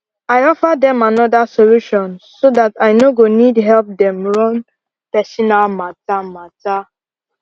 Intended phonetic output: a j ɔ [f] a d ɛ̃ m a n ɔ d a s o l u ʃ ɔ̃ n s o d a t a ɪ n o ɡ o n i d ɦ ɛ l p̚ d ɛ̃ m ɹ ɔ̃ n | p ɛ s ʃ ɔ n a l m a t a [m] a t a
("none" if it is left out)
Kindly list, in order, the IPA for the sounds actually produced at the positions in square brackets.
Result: f, m

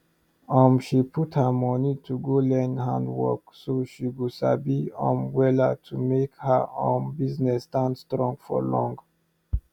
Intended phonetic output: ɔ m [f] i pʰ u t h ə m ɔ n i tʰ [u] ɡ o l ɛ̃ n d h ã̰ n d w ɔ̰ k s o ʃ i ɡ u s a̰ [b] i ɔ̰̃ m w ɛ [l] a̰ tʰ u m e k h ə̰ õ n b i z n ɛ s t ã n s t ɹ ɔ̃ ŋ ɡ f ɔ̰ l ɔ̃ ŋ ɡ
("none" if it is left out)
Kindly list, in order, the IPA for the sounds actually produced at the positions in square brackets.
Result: ʃ, u, b, l

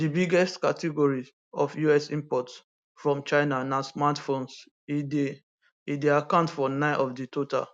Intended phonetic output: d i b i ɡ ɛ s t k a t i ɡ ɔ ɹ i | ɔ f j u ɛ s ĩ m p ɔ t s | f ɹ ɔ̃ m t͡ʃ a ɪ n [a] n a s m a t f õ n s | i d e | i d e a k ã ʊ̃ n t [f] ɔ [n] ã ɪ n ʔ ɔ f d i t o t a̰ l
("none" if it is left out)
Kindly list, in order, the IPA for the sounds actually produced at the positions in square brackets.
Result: a, f, n

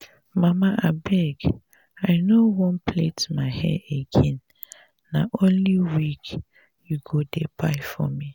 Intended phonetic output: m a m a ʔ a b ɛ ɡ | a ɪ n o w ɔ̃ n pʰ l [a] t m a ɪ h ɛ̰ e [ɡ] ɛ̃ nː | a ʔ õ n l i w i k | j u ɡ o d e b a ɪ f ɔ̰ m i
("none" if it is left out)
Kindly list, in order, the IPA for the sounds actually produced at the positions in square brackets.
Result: e, ɡ

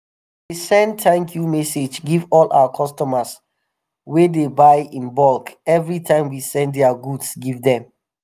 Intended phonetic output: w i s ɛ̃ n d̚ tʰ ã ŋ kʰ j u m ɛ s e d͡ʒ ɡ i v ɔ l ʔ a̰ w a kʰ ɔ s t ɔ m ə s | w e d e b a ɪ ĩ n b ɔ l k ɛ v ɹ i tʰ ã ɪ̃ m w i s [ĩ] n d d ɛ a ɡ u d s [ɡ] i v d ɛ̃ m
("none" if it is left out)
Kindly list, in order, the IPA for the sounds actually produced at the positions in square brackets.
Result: ɛ̃, ɡ

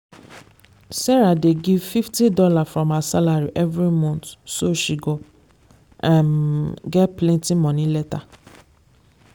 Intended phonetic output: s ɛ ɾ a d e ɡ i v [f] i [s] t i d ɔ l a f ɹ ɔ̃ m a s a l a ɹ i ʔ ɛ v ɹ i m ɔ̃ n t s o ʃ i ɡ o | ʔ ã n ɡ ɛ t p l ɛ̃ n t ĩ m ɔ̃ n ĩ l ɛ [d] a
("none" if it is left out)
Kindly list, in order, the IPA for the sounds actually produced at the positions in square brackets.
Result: f, f, t

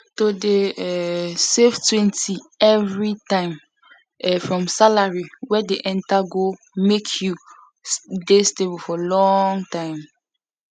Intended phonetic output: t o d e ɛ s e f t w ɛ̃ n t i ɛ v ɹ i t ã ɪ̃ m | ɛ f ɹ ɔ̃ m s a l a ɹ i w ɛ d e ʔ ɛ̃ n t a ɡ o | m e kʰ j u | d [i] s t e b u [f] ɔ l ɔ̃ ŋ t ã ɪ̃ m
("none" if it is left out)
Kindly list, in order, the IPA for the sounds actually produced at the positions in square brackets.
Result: e, f

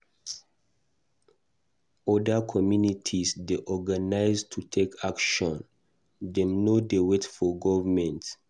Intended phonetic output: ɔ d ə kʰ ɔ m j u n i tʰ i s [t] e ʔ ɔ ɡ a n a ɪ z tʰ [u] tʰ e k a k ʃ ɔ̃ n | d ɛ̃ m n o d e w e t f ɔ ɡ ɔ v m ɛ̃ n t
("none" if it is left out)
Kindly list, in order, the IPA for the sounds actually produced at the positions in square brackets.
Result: d, u

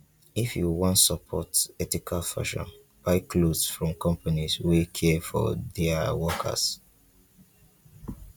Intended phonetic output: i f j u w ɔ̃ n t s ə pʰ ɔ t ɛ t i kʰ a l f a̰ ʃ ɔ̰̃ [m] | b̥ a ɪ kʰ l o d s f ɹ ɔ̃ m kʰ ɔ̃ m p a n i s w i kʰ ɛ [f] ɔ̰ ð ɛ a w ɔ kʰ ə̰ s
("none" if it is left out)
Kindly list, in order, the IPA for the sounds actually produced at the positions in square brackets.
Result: n, f

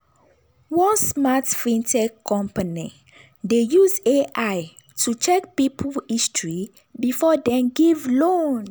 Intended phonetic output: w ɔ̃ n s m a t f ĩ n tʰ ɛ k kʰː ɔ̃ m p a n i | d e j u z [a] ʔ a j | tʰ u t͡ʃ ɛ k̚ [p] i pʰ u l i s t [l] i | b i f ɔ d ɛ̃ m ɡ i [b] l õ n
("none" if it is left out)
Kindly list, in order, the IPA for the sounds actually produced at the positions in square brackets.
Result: e, p, ɹ, v

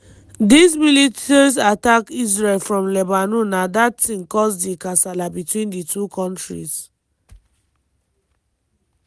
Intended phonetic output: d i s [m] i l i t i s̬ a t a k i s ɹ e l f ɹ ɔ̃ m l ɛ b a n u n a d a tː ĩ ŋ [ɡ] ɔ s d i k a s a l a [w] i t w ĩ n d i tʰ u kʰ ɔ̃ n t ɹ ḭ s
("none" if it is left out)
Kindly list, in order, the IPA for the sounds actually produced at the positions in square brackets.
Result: m, k, b

